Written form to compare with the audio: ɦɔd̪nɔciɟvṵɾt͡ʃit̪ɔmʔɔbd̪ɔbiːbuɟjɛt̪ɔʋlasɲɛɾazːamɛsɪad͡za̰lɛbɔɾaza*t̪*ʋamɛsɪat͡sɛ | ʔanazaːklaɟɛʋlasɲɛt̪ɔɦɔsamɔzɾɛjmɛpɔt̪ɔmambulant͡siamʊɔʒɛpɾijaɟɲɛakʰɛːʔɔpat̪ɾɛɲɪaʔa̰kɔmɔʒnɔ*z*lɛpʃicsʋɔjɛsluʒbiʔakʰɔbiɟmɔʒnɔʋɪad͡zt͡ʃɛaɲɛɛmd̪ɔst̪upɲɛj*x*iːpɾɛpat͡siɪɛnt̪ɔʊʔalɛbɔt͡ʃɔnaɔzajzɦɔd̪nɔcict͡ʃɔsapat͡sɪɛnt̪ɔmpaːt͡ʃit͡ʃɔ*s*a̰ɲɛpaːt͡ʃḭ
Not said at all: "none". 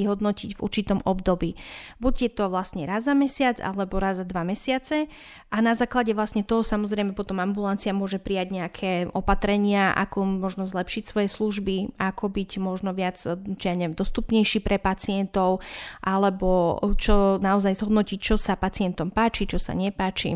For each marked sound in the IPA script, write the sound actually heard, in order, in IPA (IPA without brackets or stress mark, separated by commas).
d̪, z, ʃ, s